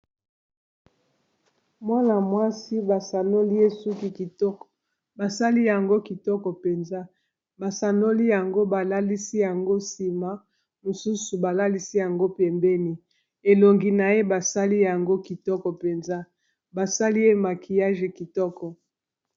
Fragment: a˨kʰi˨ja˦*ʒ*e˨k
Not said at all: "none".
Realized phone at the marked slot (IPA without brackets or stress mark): ʒ